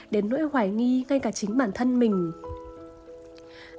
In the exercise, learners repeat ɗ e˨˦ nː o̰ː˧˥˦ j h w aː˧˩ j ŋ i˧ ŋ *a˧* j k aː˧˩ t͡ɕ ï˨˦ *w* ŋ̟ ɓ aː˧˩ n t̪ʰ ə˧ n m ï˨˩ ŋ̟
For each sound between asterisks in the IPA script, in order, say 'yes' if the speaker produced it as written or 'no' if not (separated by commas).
yes, no